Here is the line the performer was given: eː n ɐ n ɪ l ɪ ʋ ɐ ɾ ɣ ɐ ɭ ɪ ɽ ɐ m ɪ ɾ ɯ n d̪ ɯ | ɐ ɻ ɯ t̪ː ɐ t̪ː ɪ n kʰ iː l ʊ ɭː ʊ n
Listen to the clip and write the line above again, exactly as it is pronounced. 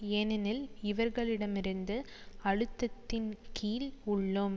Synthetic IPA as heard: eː n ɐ n ɪ l ɪ ʋ ɐ ɾ ɣ ɐ ɭ ɪ ɽ ɐ m ɪ ɾ ɯ n d̪ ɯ | ɐ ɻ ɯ t̪ː ɐ t̪ː ɪ n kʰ iː l ʊ ɭː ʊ m